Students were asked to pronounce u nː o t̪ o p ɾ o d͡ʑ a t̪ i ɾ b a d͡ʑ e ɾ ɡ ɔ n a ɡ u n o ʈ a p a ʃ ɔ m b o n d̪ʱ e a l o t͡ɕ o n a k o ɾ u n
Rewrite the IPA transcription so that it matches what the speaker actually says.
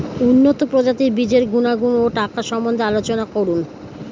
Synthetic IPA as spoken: u nː o t̪ o p ɾ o d͡ʑ a t̪ i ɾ b i d͡ʑ e ɾ ɡ u n a ɡ u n o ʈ a k a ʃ ɔ m b o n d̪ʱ e a l o t͡ɕ o n a k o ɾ u n

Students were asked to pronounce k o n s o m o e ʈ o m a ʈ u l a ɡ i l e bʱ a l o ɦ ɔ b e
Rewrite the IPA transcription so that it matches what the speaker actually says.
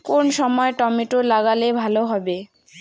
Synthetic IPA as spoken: k o n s ɔ m ɔ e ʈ ɔ m i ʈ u l a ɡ a l e bʱ a l o ɦ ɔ b e

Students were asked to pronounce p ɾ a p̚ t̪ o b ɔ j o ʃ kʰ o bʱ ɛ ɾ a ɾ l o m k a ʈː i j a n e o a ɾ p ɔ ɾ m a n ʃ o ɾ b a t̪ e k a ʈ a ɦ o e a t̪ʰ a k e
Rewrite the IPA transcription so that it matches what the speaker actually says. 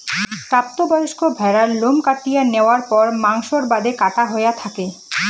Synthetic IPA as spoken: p ɾ a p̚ t̪ o b ɔ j o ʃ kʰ o bʱ ɛ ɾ a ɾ l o m k a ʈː i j a n e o a ɾ p ɔ ɾ m a ŋ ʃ o ɾ b a d̪ e k a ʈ a ɦ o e a t̪ʰ a k e

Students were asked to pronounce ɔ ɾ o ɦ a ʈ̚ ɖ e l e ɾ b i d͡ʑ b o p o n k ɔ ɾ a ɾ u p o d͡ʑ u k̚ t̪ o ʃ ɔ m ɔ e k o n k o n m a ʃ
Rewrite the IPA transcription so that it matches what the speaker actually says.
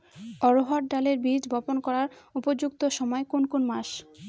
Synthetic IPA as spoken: ɔ ɾ o ɦ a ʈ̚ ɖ a l e ɾ b i d͡ʑ b ɔ p o n k ɔ ɾ a ɾ u p o d͡ʑ u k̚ t̪ o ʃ ɔ m ɔ e k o n k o n m a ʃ

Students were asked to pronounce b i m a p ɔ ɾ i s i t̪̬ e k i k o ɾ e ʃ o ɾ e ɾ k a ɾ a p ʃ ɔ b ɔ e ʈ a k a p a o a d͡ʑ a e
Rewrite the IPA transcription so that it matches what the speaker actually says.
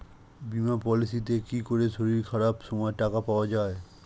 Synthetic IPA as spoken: b i m a p ɔ l i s i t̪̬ e k i k o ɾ e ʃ o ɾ i ɾ kʰ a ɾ a p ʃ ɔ m ɔ e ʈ a k a p a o a d͡ʑ a e

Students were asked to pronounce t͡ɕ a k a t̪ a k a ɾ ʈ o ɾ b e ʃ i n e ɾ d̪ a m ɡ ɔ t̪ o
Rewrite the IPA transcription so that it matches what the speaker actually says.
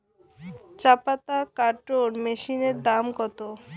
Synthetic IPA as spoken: t͡ɕ a p a t̪ a k a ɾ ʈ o ɾ m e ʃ i n e ɾ d̪ a m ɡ ɔ t̪ o

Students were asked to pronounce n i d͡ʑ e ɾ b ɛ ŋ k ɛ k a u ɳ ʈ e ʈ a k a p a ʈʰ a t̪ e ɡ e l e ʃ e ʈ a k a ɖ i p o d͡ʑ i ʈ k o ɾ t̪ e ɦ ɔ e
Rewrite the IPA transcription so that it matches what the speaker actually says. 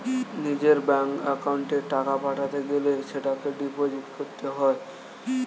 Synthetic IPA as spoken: n i d͡ʑ e ɾ b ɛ ŋ k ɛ k a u ɳ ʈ e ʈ a k a p a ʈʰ a t̪ e ɡ e l e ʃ e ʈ a k e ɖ i p o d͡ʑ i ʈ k o ɾ t̪ e ɦ ɔ e

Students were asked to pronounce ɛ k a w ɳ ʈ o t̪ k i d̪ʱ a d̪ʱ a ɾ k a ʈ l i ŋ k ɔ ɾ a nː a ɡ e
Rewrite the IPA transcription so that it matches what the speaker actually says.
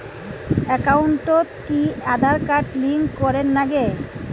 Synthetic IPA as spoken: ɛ k a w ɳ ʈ o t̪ k i a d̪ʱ a ɾ k a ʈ l i ŋ k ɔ ɾ e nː a ɡ e

